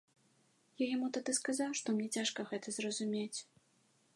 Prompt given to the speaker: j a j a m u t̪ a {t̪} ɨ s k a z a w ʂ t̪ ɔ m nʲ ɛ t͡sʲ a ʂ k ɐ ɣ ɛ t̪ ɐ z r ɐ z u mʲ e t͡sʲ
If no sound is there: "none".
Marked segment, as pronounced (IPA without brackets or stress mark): d̪